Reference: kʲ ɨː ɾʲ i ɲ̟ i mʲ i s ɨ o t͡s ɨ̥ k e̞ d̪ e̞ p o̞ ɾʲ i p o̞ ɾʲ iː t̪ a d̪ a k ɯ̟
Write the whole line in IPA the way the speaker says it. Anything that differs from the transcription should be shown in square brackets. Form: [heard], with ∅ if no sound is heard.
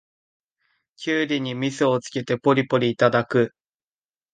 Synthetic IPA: kʲ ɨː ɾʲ i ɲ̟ i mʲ i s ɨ o t͡s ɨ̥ k e̞ [t̪] e̞ p o̞ ɾʲ i p o̞ ɾʲ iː t̪ a d̪ a k ɯ̟